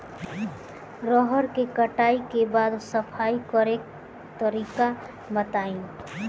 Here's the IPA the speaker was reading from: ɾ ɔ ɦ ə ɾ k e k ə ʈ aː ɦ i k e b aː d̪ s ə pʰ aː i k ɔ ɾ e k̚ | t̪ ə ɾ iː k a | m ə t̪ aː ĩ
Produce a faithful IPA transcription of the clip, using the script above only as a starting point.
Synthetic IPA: ɾ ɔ ɦ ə ɾ k e k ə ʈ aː i k e b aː d̪ s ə pʰ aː i k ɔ ɾ e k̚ | t̪ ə ɾ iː k a | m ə t̪ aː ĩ